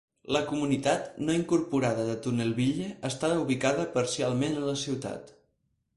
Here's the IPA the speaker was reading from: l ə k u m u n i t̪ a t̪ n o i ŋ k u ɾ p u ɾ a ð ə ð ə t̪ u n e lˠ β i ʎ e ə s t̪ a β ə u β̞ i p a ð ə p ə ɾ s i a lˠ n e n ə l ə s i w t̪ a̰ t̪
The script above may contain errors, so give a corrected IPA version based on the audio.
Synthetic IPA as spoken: l ə k u m u n i t̪ a t̪ n o i ŋ k u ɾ p u ɾ a ð ə ð ə t̪ u n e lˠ β i ʎ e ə s t̪ a β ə u β̞ i k a ð ə p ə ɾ s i a lˠ m e n ə l ə s i w t̪ a̰ t̪